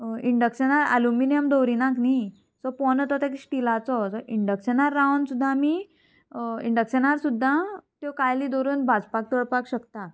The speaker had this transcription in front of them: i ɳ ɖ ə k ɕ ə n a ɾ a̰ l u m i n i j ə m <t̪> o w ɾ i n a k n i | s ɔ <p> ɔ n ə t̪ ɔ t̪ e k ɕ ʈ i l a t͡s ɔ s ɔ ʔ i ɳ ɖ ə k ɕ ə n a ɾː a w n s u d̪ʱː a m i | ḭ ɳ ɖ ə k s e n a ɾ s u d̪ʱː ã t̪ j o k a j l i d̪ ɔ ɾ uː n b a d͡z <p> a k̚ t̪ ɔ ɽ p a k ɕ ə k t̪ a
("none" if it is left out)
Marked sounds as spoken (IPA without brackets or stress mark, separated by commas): d̪, p, p